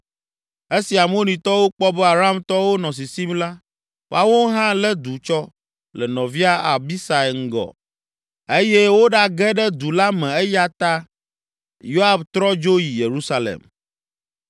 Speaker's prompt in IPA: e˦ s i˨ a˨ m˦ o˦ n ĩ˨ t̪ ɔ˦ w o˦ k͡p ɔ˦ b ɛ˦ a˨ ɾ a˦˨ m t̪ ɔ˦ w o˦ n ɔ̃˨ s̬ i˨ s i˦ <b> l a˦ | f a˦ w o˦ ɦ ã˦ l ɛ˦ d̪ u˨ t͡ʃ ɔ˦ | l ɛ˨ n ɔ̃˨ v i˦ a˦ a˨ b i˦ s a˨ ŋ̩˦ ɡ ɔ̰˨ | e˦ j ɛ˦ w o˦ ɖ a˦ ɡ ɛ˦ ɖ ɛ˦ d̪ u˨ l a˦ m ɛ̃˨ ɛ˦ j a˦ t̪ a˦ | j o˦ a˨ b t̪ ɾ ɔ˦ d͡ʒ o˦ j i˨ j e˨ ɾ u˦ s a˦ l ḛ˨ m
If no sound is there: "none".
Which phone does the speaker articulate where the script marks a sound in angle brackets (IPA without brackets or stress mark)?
m